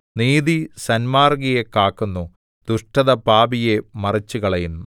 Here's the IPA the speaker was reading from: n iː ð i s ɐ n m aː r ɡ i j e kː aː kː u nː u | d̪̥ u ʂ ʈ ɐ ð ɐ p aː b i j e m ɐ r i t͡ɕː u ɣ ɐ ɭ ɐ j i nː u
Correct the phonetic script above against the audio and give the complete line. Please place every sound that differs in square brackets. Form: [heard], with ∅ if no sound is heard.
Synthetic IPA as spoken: n iː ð i s ɐ n m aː r ɡ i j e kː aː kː u nː u | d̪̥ u ʂ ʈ ɐ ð ɐ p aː b i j e m ɐ r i t͡ɕː u ɣ ɐ ɭ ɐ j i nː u